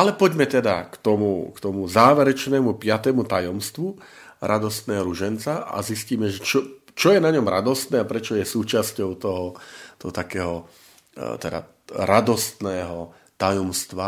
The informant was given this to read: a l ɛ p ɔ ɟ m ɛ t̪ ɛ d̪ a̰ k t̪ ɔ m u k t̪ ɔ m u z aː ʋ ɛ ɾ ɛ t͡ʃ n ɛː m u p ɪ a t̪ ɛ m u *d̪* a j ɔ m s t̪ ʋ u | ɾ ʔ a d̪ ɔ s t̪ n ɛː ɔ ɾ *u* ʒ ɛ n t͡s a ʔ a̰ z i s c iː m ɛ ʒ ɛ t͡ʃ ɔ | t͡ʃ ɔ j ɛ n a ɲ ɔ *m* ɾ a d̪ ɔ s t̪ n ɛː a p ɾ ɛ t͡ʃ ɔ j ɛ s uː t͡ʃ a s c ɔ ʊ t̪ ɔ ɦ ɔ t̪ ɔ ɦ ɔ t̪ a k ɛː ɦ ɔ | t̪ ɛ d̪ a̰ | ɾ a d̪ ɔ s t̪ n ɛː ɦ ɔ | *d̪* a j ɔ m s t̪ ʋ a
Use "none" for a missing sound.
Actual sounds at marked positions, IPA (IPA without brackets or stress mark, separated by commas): t̪, u, m, t̪